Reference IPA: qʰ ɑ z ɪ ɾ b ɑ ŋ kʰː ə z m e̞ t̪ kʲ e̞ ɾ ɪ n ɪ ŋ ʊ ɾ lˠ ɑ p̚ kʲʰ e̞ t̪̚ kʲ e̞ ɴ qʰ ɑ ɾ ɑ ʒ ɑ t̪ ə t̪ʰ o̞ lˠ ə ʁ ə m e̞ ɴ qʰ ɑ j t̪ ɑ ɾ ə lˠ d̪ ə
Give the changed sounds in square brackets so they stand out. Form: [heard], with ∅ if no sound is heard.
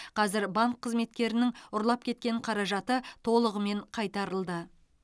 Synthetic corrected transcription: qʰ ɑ z ɪ ɾ b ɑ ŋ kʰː ə z m e̞ t̪ kʲ e̞ ɾ ɪ n ɪ ŋ ʊ ɾ lˠ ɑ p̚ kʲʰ e̞ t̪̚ kʲ e̞ ɴ qʰ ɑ ɾ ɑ ʒ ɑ t̪ ə t̪ʰ o̞ lˠ ə ʁ ə m e̞ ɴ qʰ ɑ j t̪ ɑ ɾ ə lˠ d̪ ə